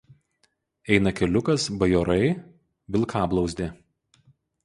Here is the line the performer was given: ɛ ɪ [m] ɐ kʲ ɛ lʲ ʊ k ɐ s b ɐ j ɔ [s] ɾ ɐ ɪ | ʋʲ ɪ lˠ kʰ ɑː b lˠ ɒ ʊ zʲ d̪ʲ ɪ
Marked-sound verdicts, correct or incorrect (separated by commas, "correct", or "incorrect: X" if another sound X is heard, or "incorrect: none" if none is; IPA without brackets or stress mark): incorrect: n, incorrect: none